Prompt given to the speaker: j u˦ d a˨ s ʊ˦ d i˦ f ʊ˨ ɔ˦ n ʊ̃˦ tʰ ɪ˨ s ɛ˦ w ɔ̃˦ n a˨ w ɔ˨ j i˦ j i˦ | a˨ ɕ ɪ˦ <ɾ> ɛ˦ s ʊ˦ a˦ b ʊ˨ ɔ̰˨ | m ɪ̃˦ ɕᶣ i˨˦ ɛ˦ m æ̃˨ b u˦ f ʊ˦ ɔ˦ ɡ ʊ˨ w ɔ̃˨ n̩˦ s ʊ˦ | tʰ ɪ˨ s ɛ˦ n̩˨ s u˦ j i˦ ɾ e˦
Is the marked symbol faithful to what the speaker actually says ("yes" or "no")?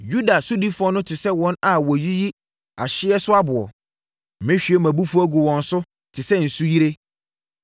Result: no